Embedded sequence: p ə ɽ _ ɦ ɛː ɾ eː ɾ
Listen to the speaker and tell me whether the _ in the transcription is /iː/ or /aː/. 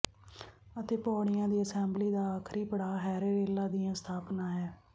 aː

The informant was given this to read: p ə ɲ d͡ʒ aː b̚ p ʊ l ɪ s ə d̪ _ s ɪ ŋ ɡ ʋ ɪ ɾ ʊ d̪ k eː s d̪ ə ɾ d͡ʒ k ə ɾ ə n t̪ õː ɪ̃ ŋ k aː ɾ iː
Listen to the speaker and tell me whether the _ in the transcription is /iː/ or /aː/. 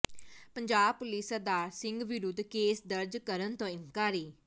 aː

